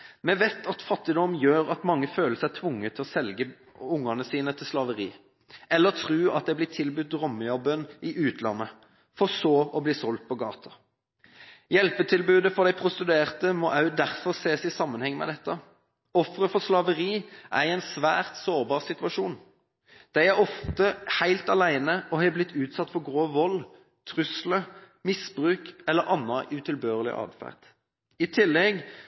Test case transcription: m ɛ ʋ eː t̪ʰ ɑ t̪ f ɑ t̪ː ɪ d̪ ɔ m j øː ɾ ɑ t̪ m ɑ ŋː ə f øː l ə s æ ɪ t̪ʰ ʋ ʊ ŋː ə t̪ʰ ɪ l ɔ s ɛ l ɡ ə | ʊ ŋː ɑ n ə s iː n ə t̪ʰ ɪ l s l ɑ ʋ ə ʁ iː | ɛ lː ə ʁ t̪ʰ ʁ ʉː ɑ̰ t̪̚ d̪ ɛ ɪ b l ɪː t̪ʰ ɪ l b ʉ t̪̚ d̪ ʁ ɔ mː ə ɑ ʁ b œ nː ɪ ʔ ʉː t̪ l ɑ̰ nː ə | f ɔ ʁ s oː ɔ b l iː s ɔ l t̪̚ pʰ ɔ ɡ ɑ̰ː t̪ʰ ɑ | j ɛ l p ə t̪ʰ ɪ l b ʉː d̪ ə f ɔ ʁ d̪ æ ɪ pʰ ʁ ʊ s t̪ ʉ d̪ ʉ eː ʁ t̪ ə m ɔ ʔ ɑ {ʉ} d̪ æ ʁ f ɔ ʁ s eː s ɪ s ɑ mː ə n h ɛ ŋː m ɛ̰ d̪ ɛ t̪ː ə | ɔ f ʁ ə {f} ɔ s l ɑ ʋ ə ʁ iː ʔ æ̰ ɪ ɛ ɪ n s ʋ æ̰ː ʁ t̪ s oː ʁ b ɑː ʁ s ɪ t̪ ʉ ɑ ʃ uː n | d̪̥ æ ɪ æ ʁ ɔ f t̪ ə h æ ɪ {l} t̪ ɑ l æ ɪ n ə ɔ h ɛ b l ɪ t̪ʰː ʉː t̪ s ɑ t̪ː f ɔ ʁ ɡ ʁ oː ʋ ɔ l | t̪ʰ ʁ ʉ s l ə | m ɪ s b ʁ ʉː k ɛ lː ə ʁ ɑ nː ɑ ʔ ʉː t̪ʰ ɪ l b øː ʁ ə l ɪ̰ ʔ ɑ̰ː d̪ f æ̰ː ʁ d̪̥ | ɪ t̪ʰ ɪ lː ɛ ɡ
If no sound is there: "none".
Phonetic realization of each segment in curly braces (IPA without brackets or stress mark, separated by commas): ʉ, f, l